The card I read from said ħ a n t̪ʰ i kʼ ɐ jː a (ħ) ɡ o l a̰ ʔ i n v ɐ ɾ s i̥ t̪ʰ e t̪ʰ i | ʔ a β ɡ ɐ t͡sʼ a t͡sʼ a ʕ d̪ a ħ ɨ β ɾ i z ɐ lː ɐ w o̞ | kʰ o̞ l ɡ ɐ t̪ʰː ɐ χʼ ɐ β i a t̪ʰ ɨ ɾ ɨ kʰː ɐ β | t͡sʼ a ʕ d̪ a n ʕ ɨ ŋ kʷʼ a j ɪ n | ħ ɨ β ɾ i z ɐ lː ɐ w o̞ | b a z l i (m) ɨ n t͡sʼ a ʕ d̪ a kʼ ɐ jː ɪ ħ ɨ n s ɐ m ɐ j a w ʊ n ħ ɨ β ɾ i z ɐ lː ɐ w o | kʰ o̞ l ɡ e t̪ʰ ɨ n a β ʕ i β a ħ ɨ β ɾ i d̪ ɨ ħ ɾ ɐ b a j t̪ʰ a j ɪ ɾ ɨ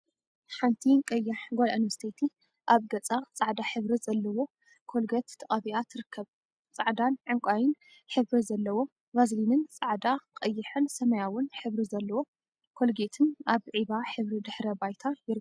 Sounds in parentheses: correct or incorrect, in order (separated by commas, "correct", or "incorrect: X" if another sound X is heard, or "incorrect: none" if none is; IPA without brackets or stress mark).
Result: correct, incorrect: n